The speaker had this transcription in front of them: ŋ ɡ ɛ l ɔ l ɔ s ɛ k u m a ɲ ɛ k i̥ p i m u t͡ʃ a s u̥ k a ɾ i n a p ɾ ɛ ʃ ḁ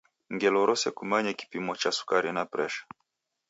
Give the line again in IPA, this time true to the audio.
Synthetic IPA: ŋ ɡ ɛ l ɔ ɾ ɔ s ɛ k u m a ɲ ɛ k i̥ p i m ɔ t͡ʃ a s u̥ k a ɾ i n a p ɾ ɛ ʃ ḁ